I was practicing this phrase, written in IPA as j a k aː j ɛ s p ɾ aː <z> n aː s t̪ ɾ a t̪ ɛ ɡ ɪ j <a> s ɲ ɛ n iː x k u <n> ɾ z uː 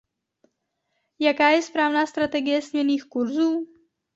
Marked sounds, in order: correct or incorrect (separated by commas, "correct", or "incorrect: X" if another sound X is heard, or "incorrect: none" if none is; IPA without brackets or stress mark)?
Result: incorrect: v, incorrect: ɛ, incorrect: none